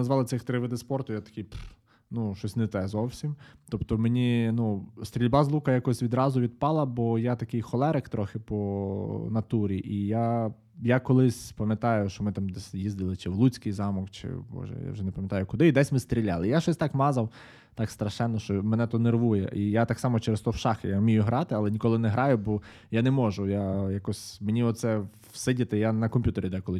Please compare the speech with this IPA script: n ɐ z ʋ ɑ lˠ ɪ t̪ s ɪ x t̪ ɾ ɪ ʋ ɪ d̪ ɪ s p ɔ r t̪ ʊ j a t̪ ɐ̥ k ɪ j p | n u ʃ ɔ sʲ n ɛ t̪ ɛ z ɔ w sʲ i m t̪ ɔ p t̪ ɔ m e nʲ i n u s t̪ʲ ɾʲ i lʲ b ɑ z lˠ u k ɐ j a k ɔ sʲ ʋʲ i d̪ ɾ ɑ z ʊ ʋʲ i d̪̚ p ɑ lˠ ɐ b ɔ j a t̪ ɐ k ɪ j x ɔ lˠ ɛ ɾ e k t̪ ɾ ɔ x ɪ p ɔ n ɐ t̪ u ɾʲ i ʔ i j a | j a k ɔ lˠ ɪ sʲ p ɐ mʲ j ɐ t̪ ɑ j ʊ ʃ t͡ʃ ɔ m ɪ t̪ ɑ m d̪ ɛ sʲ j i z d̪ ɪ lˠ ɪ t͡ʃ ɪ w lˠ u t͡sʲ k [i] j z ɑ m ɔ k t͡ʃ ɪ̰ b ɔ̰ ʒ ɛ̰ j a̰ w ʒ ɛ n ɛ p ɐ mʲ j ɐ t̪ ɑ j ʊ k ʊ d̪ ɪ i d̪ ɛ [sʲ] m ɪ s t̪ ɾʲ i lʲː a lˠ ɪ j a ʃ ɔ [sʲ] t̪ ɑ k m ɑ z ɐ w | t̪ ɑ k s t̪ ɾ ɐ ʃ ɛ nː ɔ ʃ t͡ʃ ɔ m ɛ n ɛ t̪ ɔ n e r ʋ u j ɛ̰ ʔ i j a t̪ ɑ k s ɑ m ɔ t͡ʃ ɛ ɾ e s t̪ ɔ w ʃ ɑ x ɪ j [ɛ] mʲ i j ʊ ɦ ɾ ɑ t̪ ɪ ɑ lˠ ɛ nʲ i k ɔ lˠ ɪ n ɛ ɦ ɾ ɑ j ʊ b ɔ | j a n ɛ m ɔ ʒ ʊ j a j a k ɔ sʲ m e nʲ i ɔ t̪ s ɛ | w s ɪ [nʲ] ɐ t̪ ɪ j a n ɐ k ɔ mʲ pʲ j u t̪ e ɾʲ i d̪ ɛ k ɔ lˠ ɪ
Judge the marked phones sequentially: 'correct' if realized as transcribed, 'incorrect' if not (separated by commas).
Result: incorrect, correct, correct, incorrect, incorrect